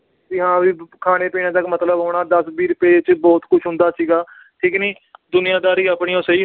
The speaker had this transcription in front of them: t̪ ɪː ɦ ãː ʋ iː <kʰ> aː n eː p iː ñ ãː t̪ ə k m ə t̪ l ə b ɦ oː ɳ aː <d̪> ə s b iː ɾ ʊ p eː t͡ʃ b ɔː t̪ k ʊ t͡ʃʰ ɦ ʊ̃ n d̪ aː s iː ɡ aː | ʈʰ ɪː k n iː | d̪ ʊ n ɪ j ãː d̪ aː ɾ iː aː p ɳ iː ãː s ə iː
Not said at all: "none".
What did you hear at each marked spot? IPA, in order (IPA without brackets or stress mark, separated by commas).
kʰ, d̪